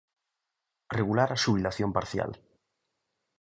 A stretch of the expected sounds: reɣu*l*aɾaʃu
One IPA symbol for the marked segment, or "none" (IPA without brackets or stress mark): l